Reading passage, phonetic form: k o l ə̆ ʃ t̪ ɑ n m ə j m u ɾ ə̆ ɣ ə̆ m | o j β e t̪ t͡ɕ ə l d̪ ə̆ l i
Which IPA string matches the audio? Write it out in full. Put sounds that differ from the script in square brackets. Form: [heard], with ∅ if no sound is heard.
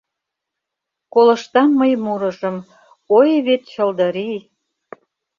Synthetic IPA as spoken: k o l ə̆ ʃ t̪ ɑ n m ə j m u ɾ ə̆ [ʒ] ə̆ m | o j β e t̪ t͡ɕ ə l d̪ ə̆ [ɾ] i